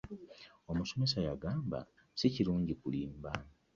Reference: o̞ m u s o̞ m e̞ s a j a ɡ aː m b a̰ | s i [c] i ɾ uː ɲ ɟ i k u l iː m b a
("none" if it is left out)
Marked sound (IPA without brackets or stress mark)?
c